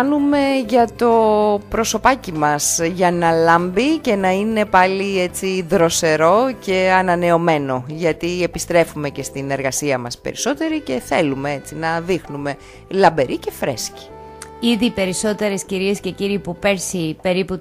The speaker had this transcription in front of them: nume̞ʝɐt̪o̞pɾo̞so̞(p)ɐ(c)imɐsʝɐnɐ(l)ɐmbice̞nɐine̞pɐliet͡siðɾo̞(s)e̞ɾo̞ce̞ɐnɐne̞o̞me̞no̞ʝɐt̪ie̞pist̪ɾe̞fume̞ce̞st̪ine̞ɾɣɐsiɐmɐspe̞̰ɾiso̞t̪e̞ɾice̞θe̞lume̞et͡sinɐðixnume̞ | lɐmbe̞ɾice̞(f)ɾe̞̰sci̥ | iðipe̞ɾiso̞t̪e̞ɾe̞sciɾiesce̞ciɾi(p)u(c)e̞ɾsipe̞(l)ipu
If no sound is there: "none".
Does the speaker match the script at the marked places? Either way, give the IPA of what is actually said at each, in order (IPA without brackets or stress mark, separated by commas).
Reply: p, c, l, s, f, p, p, ɾ